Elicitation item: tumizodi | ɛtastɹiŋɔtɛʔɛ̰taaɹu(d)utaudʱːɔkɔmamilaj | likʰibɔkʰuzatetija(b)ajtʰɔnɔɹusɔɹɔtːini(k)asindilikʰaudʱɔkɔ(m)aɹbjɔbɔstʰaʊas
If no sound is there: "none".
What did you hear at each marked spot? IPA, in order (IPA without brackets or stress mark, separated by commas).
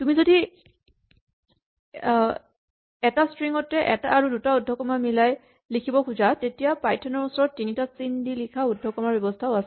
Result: d, p, t, m